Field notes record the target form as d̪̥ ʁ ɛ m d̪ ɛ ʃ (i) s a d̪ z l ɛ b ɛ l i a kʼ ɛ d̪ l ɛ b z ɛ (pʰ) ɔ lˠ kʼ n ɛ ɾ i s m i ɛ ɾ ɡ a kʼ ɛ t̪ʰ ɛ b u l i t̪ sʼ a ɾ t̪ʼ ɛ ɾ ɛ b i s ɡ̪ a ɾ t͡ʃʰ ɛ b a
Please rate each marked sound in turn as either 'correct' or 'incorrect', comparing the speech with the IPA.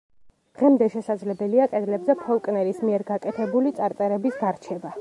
incorrect: ɛ, correct

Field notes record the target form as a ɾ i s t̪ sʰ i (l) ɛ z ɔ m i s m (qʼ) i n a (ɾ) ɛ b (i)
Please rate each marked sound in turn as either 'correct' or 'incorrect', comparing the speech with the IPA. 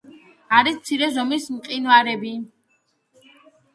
incorrect: ɾ, correct, correct, correct

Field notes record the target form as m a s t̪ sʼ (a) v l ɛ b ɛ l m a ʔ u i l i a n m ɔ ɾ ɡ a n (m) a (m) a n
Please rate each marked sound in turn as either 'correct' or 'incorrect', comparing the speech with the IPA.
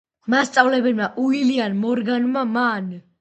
correct, correct, correct

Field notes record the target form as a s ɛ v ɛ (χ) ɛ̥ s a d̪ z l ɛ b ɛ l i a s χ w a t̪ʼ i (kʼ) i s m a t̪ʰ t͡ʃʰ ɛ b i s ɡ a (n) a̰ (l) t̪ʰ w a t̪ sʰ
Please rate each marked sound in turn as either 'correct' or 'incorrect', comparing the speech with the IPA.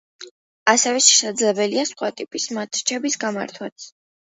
incorrect: ʃ, incorrect: pʼ, incorrect: m, incorrect: ɾ

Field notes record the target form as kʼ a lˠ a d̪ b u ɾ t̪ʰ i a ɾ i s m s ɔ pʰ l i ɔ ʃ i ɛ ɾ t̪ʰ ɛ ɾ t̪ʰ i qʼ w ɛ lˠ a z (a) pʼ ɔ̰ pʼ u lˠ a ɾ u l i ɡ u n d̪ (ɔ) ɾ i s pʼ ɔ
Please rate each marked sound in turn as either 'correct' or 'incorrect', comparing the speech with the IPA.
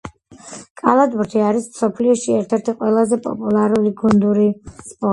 incorrect: ɛ, incorrect: u

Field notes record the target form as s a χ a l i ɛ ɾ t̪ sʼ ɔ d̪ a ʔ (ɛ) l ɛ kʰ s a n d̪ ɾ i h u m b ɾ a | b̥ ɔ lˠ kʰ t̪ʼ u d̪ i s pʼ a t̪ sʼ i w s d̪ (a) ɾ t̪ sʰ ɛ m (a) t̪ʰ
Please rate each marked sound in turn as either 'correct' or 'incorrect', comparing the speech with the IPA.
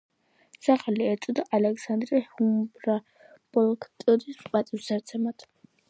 incorrect: a, correct, correct

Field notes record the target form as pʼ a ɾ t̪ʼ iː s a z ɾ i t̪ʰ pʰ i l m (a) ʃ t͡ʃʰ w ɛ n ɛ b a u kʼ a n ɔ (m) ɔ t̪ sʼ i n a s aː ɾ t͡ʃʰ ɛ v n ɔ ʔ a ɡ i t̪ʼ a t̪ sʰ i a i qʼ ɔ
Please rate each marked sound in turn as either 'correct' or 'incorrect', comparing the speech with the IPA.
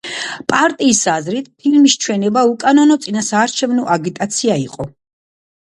incorrect: i, incorrect: n

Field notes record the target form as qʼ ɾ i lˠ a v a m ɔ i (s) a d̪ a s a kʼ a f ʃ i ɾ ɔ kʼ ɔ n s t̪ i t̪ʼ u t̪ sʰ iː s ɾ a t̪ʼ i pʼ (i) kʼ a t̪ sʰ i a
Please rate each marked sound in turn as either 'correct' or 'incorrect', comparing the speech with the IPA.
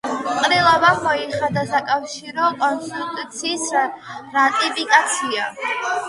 incorrect: χ, correct

